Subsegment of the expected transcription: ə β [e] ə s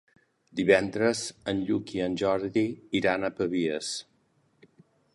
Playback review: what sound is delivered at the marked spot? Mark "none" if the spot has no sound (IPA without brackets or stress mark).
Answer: i